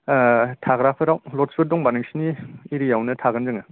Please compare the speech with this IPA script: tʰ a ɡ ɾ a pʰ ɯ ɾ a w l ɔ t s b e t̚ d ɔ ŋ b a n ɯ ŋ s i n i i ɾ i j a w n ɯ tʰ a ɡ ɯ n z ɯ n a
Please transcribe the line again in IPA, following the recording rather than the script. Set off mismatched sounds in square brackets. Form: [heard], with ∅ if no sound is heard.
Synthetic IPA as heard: tʰ a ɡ ɾ a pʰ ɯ ɾ a w l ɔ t s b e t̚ d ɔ ŋ b a n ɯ ŋ s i n i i ɾ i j a w n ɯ tʰ a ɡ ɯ n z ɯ [ŋ] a